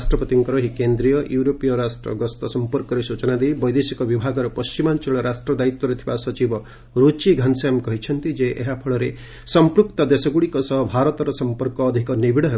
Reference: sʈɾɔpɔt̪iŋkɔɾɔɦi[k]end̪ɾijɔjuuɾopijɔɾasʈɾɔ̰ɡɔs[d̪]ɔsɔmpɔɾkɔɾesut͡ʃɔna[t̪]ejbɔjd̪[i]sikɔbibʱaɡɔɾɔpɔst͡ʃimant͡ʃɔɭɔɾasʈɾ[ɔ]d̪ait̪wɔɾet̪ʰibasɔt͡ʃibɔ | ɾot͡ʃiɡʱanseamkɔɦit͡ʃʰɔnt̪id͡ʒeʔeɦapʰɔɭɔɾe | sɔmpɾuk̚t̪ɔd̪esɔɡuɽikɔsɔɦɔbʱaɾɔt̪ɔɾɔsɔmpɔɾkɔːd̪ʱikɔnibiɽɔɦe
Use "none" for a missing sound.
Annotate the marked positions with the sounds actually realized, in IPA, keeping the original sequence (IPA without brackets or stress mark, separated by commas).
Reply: k, t̪, d̪, e, ɔ